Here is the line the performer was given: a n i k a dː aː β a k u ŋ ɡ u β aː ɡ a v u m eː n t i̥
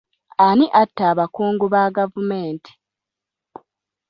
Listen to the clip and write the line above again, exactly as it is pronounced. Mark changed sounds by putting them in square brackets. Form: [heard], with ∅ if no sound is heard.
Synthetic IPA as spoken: a n i [ʔ] a [tː] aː β a k [uː] ŋ ɡ u β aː ɡ a v u m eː n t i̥